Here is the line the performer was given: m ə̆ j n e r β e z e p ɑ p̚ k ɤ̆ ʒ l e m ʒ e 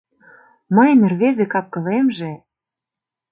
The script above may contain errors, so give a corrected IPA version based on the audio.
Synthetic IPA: m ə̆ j n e r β e z e k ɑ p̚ k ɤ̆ l e m ʒ e